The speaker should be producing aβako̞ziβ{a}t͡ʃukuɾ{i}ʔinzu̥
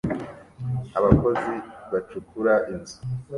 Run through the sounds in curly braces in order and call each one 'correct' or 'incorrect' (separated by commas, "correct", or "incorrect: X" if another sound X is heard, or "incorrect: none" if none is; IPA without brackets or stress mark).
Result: correct, incorrect: a